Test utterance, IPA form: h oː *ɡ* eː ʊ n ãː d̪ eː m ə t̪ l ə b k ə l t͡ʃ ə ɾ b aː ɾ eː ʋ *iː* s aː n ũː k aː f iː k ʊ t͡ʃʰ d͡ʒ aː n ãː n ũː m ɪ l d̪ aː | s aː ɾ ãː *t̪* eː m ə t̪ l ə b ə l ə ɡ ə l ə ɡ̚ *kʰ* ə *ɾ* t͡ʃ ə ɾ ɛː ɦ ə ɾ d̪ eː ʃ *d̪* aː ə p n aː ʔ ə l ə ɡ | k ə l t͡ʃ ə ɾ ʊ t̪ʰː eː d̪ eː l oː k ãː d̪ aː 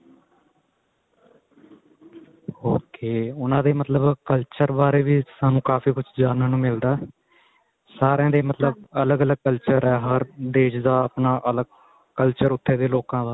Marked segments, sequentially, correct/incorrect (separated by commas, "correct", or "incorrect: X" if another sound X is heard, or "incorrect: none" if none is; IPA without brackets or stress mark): incorrect: k, correct, incorrect: d̪, incorrect: k, incorrect: l, correct